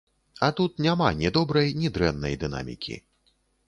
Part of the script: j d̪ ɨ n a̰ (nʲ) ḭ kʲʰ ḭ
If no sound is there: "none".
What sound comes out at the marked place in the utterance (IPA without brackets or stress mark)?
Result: mʲ